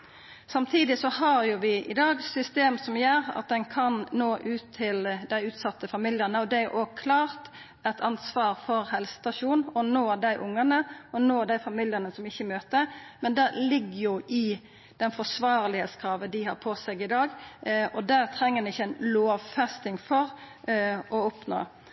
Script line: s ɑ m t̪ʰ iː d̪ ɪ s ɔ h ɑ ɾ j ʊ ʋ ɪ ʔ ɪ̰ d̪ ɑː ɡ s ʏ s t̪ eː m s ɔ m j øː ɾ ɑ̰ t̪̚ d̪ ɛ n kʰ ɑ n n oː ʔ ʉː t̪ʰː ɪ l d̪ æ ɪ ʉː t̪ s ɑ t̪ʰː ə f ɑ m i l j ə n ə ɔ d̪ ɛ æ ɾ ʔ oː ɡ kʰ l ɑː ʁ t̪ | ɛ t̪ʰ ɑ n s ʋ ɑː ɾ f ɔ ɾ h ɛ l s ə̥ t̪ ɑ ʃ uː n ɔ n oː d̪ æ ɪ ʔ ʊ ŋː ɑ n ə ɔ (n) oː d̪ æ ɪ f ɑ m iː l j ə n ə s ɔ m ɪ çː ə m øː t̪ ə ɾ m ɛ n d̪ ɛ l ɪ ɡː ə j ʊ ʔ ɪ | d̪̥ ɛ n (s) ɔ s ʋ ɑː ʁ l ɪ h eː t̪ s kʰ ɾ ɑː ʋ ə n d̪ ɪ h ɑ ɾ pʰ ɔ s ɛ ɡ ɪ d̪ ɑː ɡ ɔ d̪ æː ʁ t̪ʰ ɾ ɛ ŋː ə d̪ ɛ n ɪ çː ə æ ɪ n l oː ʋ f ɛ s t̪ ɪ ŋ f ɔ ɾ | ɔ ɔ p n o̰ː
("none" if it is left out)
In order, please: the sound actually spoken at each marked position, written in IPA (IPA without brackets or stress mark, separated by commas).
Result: n, f